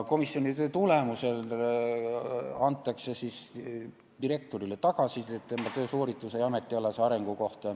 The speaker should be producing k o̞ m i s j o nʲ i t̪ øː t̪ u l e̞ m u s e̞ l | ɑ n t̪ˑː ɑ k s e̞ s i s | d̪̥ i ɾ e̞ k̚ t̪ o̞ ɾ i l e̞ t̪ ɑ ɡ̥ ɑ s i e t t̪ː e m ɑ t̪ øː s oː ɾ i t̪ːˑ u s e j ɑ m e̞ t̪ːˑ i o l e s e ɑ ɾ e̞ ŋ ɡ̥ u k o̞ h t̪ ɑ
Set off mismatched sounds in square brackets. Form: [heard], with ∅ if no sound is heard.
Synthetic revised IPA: k o̞ m i s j o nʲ i t̪ øː t̪ u l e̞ m u s e̞ l | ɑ n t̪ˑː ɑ k s e̞ s i s | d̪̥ i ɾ e̞ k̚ t̪ o̞ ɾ i l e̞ t̪ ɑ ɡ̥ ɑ s i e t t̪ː e m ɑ t̪ øː s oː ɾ i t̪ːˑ u s e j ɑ m e̞ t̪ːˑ i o l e s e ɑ ɾ e̞ ŋ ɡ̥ u k o̞ h t̪ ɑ